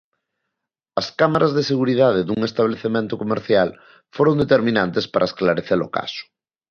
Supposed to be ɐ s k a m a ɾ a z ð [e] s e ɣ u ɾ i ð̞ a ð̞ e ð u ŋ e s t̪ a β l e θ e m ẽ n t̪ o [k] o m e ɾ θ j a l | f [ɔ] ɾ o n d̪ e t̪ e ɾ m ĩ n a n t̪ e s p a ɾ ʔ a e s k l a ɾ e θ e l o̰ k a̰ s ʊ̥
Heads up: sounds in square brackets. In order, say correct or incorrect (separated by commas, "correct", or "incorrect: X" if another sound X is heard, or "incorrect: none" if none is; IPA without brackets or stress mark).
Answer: correct, correct, incorrect: o